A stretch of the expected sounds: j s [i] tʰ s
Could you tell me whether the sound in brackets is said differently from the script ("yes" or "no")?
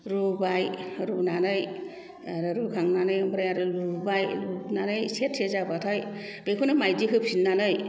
yes